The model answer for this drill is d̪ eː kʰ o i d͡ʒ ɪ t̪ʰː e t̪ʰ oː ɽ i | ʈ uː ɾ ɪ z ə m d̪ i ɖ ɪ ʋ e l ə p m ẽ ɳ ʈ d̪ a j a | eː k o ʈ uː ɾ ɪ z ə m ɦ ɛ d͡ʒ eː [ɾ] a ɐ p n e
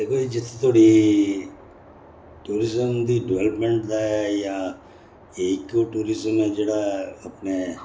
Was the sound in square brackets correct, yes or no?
no